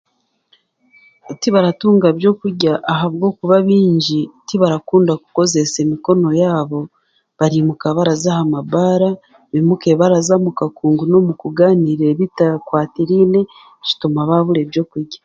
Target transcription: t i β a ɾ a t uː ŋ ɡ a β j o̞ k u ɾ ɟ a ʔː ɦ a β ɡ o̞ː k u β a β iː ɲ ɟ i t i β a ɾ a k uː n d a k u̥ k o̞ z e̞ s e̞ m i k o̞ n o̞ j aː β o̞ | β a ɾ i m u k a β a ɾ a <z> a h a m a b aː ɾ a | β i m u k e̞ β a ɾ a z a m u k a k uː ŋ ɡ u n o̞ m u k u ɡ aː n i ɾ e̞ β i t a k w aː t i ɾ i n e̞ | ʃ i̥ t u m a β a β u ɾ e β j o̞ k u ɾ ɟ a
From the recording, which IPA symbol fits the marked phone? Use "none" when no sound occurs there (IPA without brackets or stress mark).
z